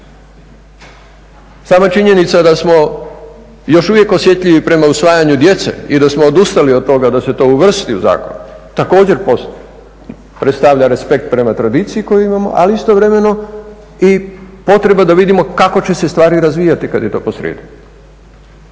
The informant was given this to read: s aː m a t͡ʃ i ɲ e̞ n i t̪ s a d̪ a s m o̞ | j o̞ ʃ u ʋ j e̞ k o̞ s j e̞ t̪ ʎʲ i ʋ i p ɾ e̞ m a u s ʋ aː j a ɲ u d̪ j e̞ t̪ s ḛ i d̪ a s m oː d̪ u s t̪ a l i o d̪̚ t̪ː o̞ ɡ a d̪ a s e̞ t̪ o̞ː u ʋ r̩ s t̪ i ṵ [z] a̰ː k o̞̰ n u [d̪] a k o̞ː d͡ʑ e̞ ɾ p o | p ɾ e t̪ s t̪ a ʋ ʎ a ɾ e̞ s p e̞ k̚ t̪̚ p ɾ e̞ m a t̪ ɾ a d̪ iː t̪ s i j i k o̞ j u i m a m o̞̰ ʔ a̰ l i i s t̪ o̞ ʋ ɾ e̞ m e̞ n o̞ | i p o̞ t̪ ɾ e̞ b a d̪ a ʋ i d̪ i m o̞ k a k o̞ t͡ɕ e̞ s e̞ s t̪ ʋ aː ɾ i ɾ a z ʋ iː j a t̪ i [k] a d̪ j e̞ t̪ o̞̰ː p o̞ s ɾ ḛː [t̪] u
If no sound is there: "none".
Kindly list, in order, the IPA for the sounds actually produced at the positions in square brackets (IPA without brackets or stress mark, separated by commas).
z, t̪, k, d̪